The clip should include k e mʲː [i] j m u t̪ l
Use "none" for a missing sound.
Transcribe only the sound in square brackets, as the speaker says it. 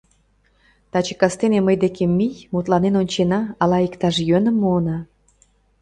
i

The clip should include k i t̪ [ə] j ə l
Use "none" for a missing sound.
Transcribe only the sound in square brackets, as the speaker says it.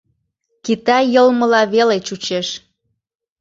ɑ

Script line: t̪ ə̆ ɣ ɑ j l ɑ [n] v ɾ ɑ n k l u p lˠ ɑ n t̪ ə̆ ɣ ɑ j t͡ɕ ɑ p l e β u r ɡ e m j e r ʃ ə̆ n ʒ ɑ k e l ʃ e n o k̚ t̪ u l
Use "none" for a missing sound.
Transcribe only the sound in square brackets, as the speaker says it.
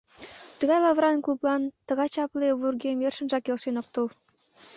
none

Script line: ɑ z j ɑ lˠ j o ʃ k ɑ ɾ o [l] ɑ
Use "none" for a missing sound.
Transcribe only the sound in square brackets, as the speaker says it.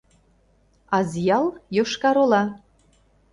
l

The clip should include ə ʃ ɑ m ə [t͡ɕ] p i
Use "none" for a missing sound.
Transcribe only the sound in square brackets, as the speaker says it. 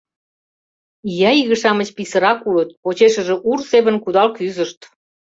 t͡ɕ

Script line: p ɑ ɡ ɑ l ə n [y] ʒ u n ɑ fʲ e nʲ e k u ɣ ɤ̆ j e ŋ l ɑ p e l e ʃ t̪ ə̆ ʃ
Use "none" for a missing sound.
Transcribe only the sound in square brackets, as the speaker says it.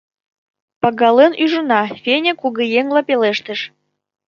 y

